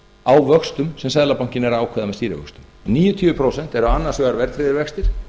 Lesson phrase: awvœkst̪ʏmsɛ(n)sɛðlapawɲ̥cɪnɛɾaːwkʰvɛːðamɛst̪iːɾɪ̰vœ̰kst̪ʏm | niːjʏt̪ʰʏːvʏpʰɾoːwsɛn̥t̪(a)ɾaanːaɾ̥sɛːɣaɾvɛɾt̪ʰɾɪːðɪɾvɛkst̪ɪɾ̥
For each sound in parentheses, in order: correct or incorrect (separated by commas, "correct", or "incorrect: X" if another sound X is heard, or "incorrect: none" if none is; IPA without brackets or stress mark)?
incorrect: m, incorrect: ɛ